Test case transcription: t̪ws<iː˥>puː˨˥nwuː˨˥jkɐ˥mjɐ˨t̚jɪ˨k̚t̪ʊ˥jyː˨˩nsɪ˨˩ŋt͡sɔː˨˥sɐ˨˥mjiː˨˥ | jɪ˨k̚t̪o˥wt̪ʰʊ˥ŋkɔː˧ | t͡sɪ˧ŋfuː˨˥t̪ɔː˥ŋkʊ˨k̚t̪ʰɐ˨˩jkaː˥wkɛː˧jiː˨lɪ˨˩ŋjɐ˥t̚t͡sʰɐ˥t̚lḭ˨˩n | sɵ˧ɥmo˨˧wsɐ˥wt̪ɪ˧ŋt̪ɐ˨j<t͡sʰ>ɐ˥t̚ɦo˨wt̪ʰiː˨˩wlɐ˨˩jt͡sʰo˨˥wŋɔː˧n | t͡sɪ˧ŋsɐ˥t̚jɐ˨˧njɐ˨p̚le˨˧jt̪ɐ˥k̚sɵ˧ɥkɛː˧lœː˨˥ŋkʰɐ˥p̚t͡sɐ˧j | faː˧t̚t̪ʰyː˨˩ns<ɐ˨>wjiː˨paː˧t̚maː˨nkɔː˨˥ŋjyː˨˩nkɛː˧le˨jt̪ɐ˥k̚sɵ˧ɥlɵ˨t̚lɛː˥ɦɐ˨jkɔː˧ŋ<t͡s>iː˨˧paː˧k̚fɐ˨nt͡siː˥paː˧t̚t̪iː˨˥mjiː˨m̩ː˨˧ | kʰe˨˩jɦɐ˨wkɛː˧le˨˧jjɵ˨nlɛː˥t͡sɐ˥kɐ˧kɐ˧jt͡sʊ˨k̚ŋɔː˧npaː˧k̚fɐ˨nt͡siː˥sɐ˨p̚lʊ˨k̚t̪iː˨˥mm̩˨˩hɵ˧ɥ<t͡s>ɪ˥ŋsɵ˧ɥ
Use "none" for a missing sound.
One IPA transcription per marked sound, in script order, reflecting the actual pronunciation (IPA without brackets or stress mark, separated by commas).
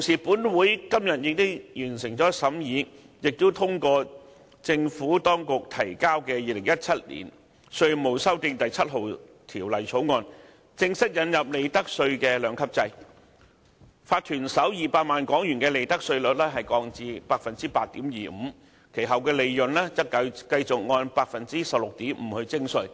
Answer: iː˨˩, t͡sʰ, ɐ˨˥, t͡s, t͡s